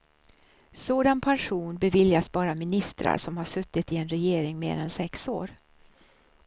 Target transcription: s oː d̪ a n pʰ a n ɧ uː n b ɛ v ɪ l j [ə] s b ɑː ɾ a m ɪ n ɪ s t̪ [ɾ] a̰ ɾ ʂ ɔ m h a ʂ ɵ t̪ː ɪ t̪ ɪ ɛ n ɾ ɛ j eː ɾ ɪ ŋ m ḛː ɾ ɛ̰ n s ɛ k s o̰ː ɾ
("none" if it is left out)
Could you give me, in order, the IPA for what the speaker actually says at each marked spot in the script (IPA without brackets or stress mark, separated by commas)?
a, ɾ